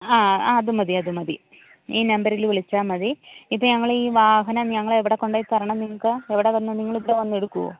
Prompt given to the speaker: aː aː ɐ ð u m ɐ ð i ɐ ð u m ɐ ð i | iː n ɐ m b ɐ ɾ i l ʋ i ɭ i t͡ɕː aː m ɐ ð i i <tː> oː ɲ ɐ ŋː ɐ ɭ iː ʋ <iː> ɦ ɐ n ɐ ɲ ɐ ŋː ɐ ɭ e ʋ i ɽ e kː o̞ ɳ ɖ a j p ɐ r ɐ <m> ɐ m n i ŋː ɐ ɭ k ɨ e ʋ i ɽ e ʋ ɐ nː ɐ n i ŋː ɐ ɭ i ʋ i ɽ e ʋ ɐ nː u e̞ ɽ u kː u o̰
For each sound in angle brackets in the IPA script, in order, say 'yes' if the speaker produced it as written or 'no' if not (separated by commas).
no, no, no